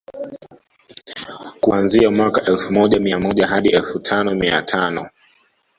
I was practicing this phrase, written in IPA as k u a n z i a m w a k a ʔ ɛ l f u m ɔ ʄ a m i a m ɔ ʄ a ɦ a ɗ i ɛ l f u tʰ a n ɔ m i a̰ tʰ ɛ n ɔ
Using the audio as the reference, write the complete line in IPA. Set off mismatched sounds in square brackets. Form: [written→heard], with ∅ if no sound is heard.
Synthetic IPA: k u a n z i a m w a k a ʔ ɛ l f u m ɔ ʄ a m i a m ɔ ʄ a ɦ a ɗ i ɛ l f u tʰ a n ɔ m i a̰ tʰ [ɛ→a] n ɔ